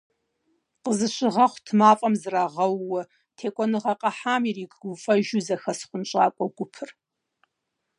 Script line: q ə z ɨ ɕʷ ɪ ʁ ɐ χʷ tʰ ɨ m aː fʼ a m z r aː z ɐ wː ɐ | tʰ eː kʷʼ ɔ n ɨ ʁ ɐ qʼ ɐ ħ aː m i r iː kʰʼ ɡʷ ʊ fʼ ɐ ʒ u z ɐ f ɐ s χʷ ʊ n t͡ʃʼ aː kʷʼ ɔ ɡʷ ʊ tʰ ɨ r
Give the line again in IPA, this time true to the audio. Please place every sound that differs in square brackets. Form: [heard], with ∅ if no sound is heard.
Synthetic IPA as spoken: q ə z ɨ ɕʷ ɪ ʁ ɐ χʷ tʰ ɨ m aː fʼ [ɐ] m z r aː [ʁ] ɐ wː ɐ | tʰ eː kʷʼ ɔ n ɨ ʁ ɐ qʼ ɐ ħ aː m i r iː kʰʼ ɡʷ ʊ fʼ ɐ ʒ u z ɐ [x] ɐ s χʷ ʊ n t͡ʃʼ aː kʷʼ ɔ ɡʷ ʊ [pʰ] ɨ r

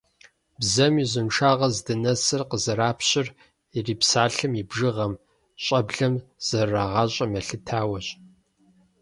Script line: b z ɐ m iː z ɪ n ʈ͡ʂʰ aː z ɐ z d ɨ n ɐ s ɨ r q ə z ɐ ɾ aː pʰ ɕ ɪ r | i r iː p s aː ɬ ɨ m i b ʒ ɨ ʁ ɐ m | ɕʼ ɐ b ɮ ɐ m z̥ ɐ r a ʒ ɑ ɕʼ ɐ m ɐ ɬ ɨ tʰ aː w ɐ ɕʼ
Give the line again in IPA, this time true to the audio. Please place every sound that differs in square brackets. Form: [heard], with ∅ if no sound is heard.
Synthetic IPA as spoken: b z ɐ m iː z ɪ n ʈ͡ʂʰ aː [ʁ] ɐ z d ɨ n ɐ s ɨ r q ə z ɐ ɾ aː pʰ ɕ ɪ r | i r iː p s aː ɬ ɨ m i b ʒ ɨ ʁ ɐ m | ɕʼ ɐ b ɮ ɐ m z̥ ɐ r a [ʁ] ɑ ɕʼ ɐ m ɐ ɬ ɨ tʰ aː w ɐ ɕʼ

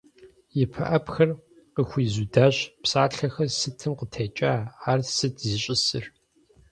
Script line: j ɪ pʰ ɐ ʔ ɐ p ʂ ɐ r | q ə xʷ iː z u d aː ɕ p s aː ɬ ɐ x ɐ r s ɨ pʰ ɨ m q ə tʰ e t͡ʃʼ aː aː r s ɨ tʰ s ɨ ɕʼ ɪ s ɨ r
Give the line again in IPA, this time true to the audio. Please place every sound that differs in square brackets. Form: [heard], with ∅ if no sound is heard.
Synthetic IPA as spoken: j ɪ pʰ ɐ ʔ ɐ p [x] ɐ r | q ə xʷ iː z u d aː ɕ p s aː ɬ ɐ x ɐ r s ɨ [tʰ] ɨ m q ə tʰ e t͡ʃʼ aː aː r s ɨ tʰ [z] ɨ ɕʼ ɪ s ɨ r

